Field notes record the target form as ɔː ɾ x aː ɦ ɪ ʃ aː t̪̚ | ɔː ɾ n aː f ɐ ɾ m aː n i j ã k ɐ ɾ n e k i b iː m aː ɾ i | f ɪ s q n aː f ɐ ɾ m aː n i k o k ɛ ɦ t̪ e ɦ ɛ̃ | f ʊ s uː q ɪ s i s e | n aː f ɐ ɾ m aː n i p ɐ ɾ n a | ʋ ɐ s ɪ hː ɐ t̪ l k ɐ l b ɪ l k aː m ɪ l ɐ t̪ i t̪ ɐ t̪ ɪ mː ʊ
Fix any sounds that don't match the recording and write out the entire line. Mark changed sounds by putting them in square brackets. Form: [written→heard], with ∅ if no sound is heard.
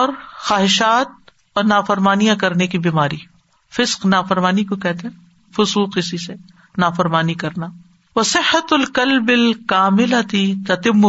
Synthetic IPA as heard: ɔː ɾ x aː ɦ ɪ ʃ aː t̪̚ | ɔː ɾ n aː f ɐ ɾ m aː n i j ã k ɐ ɾ n e k i b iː m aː ɾ i | f ɪ s q n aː f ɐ ɾ m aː n i k o k ɛ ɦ t̪ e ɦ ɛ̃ | f ʊ s uː q ɪ s i s e | n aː f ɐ ɾ m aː n i [p→k] ɐ ɾ n a | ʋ ɐ s ɪ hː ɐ t̪ l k ɐ l b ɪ l k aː m ɪ l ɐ t̪ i t̪ ɐ t̪ ɪ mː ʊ